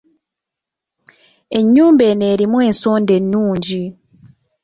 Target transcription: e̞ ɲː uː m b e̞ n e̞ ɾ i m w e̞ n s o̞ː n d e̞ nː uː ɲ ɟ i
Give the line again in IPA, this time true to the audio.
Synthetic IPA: e̞ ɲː uː m b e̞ n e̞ ɾ i m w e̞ n s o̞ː n d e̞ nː uː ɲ ɟ i